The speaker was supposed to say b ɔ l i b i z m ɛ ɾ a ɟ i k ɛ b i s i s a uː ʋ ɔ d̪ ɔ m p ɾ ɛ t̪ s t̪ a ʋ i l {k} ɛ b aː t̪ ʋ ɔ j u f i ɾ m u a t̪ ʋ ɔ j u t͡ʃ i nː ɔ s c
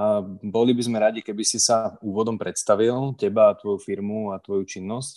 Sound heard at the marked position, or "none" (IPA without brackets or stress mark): c